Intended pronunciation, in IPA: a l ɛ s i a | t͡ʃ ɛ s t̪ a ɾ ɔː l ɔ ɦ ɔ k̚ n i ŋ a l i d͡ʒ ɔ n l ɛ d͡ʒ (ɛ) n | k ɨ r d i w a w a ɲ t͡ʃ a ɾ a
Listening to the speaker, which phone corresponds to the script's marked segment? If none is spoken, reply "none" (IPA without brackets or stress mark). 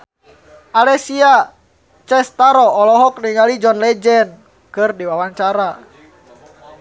ɛ